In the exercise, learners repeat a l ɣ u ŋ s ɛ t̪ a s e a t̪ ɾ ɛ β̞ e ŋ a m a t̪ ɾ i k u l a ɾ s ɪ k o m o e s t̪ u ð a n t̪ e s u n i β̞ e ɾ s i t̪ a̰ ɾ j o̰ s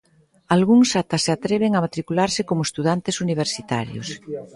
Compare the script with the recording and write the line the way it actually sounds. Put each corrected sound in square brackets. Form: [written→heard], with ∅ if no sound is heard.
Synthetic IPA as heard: a l ɣ u ŋ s [ɛ→a] t̪ a s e a t̪ ɾ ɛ β̞ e ŋ a m a t̪ ɾ i k u l a ɾ s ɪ k o m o e s t̪ u ð a n t̪ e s u n i β̞ e ɾ s i t̪ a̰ ɾ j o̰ s